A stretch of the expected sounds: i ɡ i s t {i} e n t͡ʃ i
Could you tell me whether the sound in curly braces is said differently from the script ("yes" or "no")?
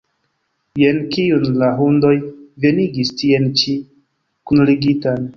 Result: no